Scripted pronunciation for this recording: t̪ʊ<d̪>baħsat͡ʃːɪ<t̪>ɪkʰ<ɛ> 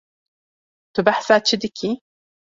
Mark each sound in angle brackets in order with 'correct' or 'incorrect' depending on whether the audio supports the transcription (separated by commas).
incorrect, incorrect, incorrect